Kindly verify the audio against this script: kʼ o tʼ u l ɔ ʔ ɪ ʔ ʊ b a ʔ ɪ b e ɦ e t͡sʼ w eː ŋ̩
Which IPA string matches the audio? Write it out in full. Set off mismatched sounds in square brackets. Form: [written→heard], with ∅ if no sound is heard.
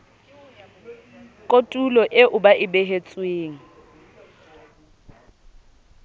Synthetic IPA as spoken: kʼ o tʼ u l ɔ ʔ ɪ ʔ ʊ b a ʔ ɪ b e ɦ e t͡sʼ w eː ŋ̩